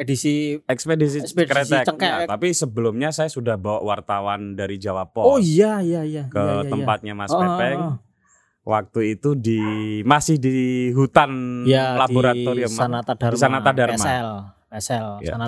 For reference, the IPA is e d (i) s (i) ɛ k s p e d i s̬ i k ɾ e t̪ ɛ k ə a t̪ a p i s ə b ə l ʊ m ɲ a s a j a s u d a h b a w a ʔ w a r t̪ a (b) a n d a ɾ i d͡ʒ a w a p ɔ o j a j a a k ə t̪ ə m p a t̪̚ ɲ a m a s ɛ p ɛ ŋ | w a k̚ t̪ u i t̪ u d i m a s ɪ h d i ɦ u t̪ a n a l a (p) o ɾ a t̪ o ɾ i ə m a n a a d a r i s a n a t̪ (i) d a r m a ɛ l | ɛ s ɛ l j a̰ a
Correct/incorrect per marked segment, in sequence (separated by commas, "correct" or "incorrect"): correct, correct, incorrect, incorrect, incorrect